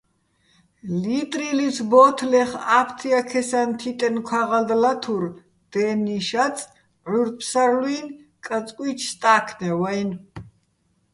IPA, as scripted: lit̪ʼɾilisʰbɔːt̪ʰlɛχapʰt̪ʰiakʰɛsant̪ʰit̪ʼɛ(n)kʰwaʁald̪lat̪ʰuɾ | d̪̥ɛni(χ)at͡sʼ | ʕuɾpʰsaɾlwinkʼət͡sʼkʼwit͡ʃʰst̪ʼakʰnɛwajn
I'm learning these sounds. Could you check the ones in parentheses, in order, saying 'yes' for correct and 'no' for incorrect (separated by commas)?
yes, no